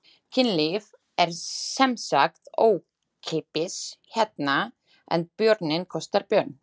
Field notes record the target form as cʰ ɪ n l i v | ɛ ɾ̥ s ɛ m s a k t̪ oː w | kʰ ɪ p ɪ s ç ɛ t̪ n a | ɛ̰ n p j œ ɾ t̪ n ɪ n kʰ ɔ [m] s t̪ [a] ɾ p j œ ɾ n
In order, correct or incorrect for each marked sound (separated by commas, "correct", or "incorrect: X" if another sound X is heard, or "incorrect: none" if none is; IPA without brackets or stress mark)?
incorrect: none, correct